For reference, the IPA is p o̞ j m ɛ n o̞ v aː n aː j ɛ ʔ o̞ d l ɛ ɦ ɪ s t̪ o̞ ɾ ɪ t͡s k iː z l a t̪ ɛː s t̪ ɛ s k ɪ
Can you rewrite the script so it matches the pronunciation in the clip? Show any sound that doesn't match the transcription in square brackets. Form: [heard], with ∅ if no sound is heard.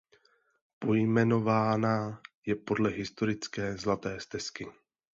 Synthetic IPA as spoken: p o̞ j m ɛ n o̞ v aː n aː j ɛ [p] o̞ d l ɛ ɦ ɪ s t̪ o̞ ɾ ɪ t͡s k [ɛː] z l a t̪ ɛː s t̪ ɛ s k ɪ